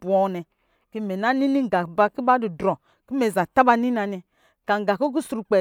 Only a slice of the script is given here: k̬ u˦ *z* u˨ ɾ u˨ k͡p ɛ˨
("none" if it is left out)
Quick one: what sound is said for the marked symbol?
s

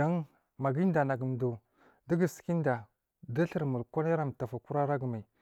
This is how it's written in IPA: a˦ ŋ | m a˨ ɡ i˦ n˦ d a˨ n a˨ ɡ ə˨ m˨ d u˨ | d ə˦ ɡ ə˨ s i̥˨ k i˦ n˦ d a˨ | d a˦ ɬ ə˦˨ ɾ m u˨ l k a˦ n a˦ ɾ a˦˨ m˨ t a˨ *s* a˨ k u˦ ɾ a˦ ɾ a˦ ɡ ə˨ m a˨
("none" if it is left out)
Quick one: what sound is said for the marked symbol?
f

